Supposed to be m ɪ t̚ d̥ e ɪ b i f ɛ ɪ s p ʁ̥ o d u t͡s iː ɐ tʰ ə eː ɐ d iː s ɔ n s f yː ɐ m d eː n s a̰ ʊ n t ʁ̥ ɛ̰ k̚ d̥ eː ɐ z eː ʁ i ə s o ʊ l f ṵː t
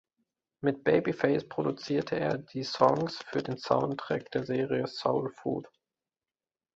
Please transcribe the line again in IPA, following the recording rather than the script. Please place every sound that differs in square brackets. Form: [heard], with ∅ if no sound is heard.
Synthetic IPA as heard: m ɪ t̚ [b̥] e ɪ b i f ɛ ɪ s p ʁ̥ o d u t͡s iː ɐ tʰ ə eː ɐ d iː s ɔ [ŋ] s f yː ɐ [∅] d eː n s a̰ ʊ n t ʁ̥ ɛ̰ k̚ d̥ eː ɐ z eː ʁ i ə s o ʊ l f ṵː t